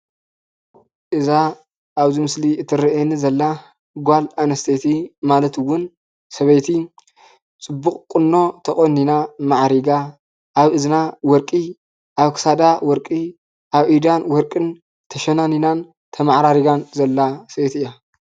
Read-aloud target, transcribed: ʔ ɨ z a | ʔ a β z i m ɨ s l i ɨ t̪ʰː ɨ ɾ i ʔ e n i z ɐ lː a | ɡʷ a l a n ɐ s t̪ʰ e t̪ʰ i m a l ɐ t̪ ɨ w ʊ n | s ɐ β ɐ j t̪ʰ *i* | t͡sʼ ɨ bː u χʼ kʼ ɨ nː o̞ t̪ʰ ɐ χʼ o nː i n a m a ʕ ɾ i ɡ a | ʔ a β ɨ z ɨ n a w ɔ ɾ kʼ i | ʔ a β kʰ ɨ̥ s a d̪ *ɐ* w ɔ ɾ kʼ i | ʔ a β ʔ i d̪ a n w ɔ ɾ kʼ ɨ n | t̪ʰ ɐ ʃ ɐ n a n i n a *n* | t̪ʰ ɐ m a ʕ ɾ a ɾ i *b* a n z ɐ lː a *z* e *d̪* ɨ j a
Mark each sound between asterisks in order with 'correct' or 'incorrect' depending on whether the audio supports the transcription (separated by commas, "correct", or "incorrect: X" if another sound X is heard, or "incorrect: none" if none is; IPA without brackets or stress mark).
correct, incorrect: a, correct, incorrect: ɡ, incorrect: s, incorrect: t̪